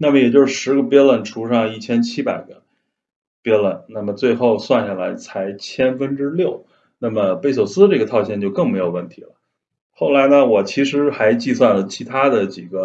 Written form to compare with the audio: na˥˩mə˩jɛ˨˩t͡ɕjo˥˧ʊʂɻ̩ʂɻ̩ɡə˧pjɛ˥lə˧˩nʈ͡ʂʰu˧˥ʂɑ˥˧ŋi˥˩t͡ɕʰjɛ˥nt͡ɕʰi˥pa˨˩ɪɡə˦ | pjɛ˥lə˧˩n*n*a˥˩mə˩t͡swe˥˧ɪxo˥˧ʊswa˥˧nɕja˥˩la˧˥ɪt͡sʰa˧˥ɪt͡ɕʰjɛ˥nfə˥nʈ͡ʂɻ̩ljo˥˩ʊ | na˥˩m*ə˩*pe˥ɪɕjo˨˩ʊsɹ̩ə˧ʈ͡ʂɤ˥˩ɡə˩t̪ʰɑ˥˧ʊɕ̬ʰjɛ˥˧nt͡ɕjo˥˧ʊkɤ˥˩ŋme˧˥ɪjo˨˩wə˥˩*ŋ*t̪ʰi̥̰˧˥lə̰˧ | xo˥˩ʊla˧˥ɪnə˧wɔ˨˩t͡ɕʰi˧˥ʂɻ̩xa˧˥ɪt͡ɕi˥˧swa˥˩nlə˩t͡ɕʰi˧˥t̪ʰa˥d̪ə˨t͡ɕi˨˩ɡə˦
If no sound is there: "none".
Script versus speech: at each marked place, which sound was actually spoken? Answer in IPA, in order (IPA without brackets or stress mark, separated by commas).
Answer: n, ə˩, n